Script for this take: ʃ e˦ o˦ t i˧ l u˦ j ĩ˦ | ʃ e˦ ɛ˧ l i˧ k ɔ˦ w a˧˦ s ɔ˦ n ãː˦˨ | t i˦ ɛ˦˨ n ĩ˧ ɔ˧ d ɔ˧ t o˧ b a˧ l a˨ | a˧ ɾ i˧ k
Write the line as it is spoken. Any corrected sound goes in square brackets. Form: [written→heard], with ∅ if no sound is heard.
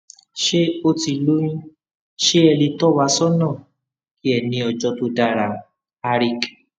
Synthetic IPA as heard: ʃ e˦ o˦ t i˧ l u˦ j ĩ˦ | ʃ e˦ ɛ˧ l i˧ [k→t] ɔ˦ w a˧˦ s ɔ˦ n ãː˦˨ | [t→k] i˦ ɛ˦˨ n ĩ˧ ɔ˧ [d→d͡ʒ] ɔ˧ t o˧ [b→d] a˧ [l→ɾ] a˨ | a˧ ɾ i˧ k